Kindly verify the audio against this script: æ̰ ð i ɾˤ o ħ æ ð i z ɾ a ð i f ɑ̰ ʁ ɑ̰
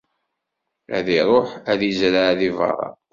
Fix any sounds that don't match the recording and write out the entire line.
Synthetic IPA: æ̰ ð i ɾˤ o ħ æ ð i z ɾ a ð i v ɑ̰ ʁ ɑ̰